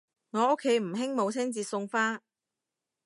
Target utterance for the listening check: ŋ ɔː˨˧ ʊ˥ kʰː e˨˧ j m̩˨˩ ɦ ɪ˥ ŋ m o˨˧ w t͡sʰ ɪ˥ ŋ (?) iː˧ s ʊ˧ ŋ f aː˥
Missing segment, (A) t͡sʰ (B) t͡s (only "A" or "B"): B